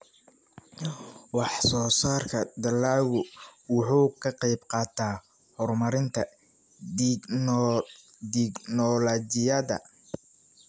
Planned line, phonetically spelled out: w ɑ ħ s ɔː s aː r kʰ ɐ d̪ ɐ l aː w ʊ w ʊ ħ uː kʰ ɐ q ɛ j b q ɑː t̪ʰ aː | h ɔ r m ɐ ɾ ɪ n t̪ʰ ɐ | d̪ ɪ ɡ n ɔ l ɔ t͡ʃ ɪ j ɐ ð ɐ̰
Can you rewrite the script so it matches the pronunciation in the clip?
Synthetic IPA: w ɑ ħ s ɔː s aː r kʰ ɐ d̪ ɐ l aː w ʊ w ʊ ħ uː kʰ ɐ q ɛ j b q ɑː t̪ʰ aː | h ɔ r m ɐ ɾ ɪ n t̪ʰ ɐ | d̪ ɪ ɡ n ɔ l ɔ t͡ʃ ɪ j ɐ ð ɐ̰